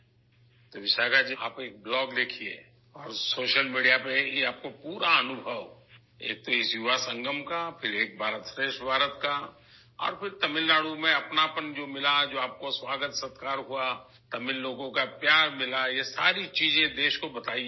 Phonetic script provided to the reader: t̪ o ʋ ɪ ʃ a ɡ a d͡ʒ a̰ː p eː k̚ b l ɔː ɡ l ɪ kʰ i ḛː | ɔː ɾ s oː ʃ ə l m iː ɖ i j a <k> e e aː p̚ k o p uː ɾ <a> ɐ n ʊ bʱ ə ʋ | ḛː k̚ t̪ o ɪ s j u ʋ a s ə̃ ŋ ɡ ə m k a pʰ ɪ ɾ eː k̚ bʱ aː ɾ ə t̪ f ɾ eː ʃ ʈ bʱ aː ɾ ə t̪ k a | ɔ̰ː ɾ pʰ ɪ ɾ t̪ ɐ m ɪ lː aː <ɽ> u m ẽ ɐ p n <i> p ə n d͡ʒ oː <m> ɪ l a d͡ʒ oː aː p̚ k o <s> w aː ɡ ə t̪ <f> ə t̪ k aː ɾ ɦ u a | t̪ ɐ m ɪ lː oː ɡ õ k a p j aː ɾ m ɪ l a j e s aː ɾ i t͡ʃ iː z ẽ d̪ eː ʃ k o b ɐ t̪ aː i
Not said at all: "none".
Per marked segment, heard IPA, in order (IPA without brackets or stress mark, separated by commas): p, a, ɽ, a, m, s, s